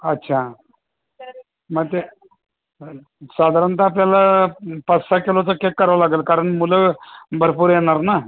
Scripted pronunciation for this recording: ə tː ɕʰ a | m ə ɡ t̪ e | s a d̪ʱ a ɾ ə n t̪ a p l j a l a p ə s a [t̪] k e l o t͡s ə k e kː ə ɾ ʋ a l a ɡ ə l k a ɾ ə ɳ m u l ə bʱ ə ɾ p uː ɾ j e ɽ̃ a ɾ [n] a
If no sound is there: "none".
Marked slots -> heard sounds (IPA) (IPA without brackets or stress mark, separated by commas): none, n